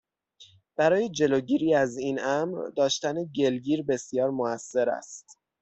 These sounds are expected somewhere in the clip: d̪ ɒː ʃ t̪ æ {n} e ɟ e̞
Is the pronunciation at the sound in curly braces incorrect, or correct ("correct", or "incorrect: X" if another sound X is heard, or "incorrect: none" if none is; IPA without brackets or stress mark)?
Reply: correct